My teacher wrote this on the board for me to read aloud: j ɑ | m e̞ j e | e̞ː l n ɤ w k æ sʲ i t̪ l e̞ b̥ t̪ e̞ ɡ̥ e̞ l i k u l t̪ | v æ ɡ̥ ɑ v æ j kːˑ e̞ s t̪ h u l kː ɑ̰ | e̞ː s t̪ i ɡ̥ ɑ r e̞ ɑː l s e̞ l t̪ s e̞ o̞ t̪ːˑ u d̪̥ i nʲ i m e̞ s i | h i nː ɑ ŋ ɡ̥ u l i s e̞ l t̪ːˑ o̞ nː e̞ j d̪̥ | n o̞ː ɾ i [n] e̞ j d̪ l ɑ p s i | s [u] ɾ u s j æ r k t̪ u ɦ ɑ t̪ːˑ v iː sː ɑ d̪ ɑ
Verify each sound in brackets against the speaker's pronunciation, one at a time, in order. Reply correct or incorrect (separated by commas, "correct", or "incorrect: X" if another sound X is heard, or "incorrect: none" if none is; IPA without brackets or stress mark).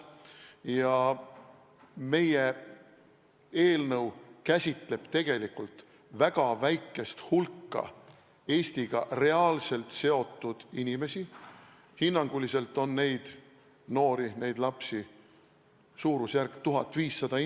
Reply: correct, incorrect: uː